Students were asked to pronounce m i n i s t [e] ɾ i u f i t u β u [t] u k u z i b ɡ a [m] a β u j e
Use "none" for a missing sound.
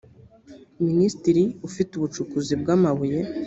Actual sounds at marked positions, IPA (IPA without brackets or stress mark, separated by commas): i, t͡ʃ, m